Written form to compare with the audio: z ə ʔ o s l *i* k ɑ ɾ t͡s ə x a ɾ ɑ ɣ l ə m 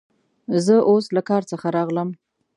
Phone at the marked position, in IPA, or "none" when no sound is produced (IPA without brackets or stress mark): a